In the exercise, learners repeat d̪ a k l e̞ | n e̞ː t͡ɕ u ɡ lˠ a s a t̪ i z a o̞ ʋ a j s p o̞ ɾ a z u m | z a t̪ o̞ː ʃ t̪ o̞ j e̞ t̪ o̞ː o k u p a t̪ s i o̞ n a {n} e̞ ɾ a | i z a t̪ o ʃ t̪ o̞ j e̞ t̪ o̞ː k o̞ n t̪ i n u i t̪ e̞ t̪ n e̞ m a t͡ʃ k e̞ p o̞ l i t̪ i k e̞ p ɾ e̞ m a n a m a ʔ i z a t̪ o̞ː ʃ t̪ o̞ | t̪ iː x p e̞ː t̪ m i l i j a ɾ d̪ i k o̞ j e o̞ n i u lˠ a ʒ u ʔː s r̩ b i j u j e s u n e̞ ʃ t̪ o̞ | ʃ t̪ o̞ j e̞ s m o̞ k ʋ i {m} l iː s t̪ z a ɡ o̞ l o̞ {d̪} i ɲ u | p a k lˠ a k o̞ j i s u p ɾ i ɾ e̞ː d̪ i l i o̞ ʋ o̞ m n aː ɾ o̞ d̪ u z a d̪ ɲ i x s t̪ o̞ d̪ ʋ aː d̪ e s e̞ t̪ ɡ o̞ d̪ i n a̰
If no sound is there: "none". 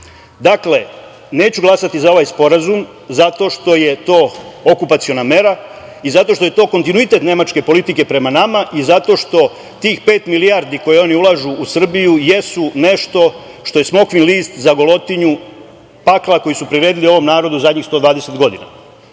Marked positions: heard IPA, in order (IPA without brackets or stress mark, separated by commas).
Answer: m, n, t̪